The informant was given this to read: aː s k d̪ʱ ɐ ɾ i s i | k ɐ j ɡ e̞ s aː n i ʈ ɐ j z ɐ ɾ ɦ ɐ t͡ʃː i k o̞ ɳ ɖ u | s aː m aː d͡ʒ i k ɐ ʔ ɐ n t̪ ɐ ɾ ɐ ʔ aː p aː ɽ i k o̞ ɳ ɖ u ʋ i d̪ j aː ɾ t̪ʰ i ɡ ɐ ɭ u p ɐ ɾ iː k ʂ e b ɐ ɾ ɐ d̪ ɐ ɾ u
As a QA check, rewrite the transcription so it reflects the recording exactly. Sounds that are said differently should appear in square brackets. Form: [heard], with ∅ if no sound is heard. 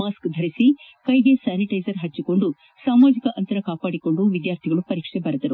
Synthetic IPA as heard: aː s k d̪ʱ ɐ ɾ i s i | k ɐ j ɡ e̞ s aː n i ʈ ɐ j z ɐ ɾ ɦ ɐ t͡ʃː i k o̞ ɳ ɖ u | s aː m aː d͡ʒ i k ɐ ʔ ɐ n t̪ ɐ ɾ ɐ [k] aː p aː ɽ i k o̞ ɳ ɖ u ʋ i d̪ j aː ɾ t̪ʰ i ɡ ɐ ɭ u p ɐ ɾ iː k ʂ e b ɐ ɾ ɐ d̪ ɐ ɾ u

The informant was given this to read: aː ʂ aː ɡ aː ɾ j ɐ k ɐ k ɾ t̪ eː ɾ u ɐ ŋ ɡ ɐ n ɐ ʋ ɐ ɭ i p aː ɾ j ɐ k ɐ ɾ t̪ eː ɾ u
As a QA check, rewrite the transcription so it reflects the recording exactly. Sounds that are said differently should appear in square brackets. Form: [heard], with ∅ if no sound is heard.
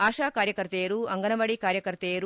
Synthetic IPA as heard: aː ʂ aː [k] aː ɾ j ɐ k ɐ [∅] ɾ t̪ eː ɾ u ɐ ŋ ɡ ɐ n ɐ ʋ ɐ [ɽ] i [k] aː ɾ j ɐ k ɐ ɾ t̪ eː ɾ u

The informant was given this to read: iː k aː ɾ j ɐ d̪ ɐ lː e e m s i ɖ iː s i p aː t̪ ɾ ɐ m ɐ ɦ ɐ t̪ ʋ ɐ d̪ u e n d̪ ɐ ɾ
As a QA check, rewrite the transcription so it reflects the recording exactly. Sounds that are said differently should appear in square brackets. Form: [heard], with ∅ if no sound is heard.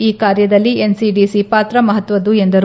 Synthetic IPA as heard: iː k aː ɾ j ɐ d̪ ɐ lː [i] e [n] s i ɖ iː s i p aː t̪ ɾ ɐ m ɐ ɦ ɐ t̪ ʋ ɐ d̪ u e n d̪ ɐ ɾ

